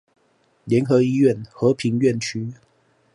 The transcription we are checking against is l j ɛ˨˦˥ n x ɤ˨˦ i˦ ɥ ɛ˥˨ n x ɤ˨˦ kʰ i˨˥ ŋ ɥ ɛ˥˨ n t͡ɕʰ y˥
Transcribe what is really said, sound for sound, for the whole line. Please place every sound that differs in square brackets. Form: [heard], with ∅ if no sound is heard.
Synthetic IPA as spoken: l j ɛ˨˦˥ n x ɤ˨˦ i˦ ɥ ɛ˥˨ n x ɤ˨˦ [pʰ] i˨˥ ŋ ɥ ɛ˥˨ n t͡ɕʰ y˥